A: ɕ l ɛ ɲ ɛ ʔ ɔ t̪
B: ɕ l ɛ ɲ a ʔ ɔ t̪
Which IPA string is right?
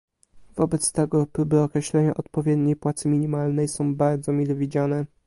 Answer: B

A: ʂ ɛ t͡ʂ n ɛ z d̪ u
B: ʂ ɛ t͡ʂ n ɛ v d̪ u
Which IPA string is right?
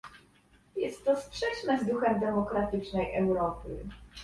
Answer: A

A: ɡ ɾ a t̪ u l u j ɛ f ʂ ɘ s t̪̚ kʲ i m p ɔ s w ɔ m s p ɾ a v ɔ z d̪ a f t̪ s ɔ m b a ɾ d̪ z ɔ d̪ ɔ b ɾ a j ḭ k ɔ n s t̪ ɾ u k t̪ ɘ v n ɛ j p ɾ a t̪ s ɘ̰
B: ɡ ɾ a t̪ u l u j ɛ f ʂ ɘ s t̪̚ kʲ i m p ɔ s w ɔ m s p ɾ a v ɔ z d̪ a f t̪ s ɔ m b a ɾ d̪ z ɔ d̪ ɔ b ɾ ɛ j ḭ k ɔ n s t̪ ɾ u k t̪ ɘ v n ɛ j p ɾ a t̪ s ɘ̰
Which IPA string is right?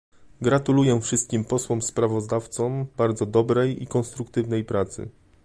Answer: B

